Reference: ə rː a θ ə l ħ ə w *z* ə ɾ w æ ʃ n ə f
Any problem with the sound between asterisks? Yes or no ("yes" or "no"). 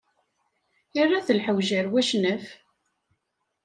yes